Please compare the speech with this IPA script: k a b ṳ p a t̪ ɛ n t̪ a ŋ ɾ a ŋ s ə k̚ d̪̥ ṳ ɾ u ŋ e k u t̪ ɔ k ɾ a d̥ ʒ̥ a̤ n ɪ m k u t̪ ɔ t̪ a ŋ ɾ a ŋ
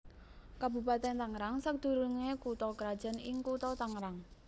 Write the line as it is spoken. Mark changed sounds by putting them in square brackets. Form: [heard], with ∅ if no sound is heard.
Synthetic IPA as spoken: k a b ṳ p a t̪ ɛ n t̪ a ŋ ɾ a ŋ s ə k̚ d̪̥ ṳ ɾ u ŋ e k u t̪ ɔ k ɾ a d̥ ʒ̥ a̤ n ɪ [ŋ] k u t̪ ɔ t̪ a ŋ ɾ a ŋ